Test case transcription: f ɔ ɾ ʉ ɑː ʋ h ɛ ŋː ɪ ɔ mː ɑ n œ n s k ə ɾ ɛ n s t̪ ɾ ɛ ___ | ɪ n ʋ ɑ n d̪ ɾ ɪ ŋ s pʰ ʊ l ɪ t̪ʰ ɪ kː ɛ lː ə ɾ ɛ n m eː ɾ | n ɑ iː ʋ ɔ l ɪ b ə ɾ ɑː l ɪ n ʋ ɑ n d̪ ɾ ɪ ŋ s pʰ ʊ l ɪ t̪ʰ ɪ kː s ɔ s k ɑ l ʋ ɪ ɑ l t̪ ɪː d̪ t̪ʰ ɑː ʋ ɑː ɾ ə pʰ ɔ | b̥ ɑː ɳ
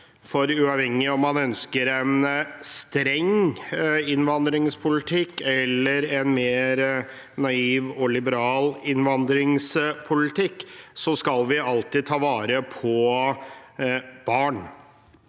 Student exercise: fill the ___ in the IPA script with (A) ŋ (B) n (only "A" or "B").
A